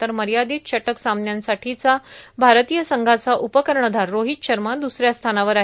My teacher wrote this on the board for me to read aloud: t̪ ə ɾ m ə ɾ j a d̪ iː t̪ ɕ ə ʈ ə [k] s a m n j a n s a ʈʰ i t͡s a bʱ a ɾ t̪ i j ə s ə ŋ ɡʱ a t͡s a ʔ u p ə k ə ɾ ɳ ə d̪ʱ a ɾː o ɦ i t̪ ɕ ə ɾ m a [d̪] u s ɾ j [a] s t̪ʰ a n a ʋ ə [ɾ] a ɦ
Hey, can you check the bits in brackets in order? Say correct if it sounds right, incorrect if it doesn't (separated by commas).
correct, correct, correct, correct